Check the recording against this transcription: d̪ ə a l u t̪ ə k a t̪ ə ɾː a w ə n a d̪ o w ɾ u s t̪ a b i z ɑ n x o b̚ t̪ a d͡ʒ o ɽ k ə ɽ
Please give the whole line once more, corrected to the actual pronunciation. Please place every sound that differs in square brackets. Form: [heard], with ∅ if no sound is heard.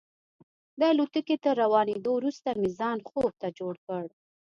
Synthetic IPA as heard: d̪ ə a l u t̪ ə k [e] t̪ ə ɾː a w [ɑ] n [e] d̪ o w ɾ u s t̪ a [m] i z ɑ n x o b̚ t̪ a d͡ʒ o ɽ k ə ɽ